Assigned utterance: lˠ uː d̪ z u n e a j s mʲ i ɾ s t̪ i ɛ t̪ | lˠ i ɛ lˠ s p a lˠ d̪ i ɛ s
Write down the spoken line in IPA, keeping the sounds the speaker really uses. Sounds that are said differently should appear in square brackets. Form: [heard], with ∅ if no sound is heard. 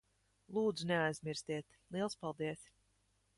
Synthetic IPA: lˠ uː d̪ z u n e a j [z] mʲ i ɾ s t̪ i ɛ t̪ | lˠ i ɛ lˠ s p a lˠ d̪ i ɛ s